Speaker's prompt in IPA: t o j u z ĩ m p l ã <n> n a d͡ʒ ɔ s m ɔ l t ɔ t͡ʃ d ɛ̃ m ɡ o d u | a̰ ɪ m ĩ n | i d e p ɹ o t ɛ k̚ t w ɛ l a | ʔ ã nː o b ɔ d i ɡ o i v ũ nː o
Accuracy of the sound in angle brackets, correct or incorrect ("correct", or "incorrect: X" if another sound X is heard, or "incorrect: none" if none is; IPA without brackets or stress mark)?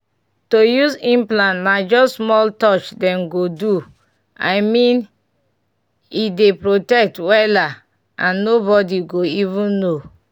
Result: correct